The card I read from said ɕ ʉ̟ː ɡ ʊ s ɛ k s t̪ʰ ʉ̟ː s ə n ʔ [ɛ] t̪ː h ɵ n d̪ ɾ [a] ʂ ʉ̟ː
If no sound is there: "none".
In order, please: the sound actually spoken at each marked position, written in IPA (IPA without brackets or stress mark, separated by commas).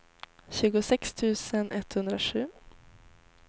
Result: ɛ, a